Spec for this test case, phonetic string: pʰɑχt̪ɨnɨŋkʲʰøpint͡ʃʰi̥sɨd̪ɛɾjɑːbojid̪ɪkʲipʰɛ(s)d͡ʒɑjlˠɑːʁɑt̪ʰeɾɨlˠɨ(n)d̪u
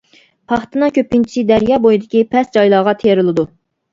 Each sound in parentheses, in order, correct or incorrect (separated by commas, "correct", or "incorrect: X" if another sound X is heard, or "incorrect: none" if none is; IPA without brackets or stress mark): correct, incorrect: none